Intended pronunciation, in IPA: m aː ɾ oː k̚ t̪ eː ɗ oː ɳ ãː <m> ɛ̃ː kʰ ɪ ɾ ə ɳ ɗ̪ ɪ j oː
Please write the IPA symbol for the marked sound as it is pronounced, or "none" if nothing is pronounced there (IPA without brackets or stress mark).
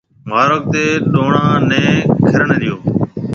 n